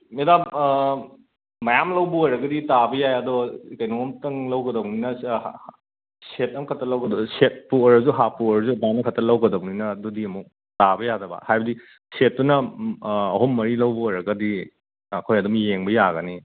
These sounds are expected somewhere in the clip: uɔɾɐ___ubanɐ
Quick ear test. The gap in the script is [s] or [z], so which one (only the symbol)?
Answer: z